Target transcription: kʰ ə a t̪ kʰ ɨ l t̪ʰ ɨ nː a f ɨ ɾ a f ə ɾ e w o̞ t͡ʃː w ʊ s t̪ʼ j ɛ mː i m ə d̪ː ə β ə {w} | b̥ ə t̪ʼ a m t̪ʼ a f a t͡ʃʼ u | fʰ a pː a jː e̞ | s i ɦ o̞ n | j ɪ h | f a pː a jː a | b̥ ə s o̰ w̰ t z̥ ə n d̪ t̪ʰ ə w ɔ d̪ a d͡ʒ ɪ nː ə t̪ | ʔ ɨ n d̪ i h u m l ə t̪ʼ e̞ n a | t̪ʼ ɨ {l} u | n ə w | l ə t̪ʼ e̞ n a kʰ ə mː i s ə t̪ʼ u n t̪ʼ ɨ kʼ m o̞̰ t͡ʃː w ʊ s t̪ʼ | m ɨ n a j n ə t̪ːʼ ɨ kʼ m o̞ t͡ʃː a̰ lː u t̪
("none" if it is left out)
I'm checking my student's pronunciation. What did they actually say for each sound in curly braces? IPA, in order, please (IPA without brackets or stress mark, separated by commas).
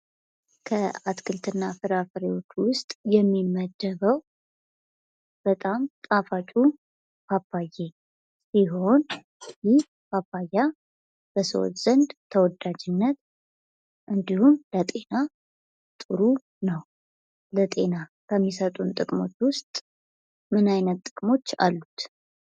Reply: w, ɾ